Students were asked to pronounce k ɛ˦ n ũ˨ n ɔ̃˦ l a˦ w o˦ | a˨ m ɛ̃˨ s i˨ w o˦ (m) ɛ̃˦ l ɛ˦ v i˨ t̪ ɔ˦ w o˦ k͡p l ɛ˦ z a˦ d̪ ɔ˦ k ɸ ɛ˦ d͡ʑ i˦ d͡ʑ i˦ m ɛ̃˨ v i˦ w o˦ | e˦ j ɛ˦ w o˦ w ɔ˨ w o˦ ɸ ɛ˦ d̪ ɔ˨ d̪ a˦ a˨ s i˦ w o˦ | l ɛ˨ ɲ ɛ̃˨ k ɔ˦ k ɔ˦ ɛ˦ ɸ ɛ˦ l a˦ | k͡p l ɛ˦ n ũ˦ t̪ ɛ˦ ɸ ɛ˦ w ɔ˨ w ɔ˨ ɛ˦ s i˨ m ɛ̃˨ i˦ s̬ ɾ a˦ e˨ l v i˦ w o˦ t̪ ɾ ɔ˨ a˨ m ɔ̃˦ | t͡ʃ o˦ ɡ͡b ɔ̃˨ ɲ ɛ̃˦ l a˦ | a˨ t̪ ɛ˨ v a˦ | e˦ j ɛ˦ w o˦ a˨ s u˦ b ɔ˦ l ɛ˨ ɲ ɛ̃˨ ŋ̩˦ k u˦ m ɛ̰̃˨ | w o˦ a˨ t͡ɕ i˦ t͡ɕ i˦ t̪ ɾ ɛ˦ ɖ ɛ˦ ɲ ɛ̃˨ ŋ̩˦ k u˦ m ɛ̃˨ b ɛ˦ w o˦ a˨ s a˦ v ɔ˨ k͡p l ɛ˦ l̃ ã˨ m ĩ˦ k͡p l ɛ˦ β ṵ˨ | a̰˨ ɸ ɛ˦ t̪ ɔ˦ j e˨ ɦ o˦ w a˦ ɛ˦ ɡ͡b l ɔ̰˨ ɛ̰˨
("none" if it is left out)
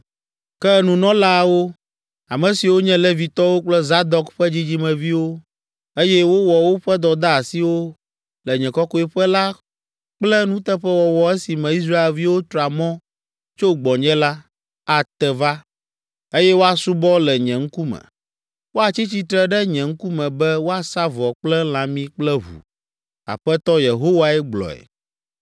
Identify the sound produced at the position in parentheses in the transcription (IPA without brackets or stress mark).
ɲ